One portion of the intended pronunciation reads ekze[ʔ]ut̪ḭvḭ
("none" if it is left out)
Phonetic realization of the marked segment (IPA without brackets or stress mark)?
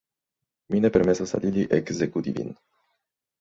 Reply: k